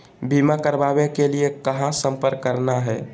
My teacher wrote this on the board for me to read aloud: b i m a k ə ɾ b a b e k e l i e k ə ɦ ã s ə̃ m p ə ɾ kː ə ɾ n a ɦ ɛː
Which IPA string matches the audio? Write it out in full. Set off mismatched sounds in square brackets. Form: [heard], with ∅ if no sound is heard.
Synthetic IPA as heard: b i m a k ə ɾ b a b e k e l i e k ə ɦ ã s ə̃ m p ə ɾ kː ə ɾ n a ɦ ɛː